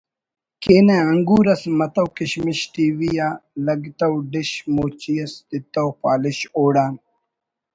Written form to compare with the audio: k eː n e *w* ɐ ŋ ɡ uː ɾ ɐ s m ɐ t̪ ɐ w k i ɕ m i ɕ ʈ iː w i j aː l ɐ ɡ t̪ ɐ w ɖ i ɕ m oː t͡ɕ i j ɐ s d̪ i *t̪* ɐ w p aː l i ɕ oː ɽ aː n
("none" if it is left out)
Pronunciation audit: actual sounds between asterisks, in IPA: none, t̪

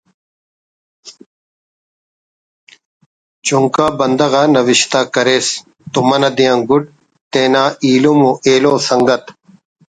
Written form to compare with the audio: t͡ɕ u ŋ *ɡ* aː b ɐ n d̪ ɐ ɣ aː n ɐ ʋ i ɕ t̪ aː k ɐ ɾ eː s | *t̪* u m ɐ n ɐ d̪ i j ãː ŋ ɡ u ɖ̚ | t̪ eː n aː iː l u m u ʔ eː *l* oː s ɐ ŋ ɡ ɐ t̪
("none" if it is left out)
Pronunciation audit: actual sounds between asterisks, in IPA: k, t̪, l

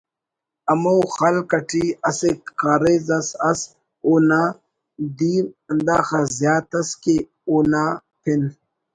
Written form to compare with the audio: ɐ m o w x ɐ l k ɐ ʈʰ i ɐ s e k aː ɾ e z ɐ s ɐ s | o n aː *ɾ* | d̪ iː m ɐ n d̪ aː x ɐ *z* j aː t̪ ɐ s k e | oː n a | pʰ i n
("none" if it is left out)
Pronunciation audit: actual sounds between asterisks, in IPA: none, z

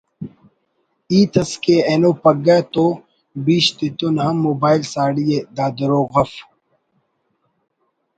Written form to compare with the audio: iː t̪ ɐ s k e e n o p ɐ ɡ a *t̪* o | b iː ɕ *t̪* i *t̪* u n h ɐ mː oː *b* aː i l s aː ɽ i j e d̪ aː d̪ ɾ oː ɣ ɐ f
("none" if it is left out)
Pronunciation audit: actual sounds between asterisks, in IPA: t̪, t̪, t̪, b

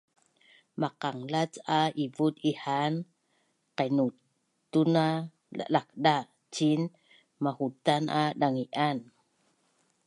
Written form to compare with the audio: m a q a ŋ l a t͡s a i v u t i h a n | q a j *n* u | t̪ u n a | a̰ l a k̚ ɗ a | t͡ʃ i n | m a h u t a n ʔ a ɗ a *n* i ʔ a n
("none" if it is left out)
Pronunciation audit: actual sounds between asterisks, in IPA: n, ŋ

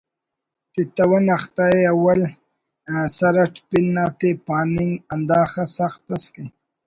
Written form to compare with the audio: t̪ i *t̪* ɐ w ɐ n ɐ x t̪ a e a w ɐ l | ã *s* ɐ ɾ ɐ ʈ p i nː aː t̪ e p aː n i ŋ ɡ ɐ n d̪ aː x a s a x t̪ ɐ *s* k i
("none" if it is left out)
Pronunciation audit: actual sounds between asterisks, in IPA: t̪, s, s

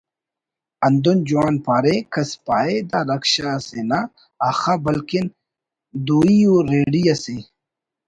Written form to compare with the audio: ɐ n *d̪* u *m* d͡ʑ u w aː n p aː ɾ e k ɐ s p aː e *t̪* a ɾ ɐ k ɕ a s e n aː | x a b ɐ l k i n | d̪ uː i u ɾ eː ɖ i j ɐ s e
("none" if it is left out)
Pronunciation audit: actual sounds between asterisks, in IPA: d̪, n, d̪

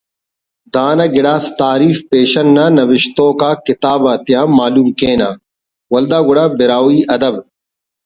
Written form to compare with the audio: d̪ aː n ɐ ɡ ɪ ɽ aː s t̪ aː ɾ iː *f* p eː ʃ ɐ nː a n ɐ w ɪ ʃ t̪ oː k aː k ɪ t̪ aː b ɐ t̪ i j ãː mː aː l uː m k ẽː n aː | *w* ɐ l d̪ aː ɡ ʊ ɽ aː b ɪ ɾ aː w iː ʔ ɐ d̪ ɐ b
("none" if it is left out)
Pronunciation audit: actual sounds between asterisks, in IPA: f, w

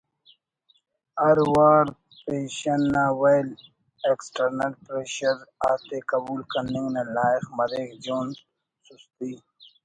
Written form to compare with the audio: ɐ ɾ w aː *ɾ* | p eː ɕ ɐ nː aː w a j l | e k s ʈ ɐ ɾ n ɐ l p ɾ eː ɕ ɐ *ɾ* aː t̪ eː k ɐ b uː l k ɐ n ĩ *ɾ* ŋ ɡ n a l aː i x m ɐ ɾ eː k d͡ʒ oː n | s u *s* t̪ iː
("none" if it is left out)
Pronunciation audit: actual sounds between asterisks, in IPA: ɾ, ɾ, none, s

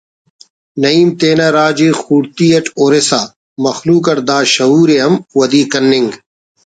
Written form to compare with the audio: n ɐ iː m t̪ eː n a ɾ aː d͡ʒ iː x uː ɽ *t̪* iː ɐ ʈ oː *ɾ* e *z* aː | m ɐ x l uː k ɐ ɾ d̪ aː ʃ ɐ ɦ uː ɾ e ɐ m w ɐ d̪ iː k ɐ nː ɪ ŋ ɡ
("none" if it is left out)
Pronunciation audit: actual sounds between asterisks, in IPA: t̪, ɾ, s

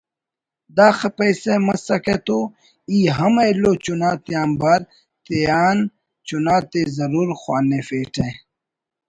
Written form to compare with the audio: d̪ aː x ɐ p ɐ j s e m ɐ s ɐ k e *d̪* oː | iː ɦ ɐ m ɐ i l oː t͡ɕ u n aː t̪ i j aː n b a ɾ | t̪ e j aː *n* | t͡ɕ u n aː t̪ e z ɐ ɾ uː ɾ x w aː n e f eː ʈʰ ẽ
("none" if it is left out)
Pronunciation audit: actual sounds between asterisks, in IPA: t̪, n

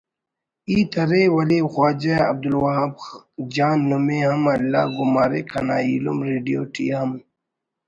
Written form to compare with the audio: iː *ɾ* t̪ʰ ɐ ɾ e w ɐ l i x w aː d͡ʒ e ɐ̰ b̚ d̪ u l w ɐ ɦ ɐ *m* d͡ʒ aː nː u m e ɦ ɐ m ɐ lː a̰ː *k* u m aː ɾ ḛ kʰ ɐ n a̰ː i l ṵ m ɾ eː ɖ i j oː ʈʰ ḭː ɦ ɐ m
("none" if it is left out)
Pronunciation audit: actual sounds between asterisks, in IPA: none, b, ɡ

